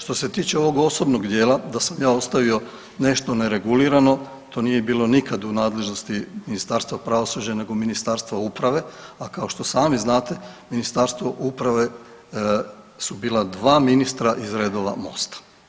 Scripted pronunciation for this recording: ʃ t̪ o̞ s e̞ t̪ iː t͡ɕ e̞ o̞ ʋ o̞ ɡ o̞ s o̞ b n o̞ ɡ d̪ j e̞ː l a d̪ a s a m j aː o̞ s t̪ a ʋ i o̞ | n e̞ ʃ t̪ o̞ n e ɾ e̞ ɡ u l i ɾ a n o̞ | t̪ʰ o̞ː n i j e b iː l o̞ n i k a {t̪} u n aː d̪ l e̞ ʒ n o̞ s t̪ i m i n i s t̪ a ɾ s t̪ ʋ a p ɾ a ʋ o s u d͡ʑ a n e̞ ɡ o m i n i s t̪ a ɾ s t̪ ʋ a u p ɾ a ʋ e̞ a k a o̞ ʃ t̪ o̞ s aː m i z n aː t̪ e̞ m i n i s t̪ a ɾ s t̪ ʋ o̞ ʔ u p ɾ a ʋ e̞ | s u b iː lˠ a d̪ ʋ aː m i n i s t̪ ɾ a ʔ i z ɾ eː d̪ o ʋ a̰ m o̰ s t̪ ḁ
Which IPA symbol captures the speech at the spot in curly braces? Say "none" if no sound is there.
d̪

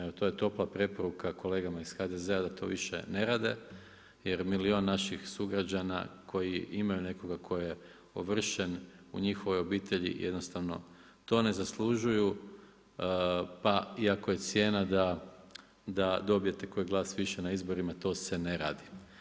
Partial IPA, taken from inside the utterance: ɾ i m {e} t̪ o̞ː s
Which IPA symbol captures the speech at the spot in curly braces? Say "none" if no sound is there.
a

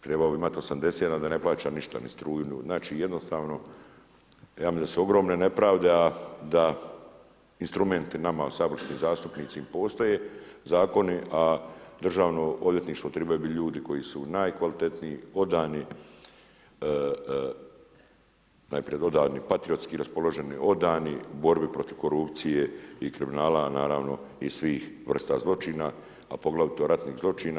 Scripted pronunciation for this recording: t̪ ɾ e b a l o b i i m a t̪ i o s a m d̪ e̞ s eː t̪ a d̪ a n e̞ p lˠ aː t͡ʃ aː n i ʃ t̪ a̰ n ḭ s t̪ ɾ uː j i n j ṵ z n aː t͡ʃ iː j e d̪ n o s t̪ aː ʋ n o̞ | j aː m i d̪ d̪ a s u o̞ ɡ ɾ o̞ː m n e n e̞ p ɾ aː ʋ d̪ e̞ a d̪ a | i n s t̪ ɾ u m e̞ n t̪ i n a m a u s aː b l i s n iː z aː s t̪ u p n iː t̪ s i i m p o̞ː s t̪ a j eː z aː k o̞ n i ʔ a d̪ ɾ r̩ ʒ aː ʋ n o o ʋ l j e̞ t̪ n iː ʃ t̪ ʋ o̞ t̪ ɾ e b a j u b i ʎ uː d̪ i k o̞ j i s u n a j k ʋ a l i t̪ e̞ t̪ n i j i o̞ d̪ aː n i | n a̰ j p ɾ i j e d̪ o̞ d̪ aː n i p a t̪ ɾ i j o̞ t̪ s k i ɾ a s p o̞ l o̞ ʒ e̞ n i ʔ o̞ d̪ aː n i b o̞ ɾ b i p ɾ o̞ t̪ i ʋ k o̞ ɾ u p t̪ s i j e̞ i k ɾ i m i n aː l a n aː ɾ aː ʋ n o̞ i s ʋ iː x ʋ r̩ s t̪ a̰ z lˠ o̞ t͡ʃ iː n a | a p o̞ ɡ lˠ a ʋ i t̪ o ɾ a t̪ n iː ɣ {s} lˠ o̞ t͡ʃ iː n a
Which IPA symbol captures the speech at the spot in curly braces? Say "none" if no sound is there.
z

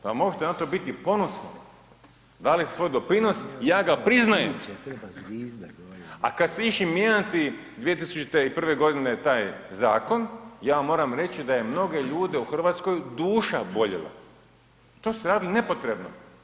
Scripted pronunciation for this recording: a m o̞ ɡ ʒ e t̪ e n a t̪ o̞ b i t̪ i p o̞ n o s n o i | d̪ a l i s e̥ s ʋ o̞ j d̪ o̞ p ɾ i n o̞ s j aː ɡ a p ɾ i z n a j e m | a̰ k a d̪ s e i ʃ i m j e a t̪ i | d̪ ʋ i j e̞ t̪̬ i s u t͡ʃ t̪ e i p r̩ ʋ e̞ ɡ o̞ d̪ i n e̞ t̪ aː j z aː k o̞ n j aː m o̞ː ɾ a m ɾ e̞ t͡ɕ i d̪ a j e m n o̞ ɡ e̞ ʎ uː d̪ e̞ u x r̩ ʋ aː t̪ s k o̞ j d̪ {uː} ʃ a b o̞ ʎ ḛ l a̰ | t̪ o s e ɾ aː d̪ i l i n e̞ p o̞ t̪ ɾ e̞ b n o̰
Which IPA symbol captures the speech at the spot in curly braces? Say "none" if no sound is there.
uː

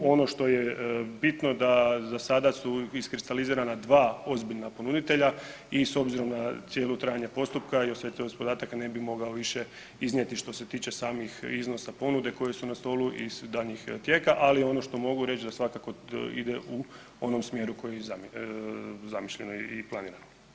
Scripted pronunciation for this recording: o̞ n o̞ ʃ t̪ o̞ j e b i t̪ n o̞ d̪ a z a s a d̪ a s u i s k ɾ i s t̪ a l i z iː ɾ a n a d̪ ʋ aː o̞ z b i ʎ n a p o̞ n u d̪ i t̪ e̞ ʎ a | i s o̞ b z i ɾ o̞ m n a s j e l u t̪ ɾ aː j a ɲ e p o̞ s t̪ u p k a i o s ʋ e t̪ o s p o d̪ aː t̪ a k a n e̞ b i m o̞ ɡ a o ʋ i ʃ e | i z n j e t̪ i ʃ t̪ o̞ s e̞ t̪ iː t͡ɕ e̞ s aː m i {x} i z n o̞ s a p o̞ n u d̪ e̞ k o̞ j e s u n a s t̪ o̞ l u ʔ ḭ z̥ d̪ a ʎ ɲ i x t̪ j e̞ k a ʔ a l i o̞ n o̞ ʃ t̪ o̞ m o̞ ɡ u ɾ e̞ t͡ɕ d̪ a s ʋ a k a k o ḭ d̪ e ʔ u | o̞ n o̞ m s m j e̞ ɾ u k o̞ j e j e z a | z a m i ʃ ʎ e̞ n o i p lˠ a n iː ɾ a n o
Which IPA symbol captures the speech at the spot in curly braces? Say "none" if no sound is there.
x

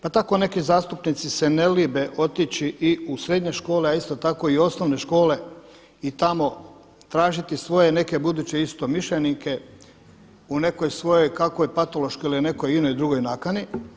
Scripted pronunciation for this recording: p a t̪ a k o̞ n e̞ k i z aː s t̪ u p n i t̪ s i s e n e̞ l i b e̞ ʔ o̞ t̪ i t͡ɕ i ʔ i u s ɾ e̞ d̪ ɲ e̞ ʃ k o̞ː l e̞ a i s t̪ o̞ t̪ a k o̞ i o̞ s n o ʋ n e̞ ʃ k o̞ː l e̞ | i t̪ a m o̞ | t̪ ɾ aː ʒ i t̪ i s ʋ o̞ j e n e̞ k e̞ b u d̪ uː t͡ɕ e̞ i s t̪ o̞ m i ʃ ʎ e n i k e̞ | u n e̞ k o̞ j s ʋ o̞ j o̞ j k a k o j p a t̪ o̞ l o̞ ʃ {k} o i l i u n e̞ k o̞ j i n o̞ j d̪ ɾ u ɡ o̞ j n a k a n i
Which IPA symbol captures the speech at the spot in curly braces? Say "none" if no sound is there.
k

